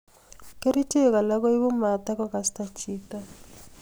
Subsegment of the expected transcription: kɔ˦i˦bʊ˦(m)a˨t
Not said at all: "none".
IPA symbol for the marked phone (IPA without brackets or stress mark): m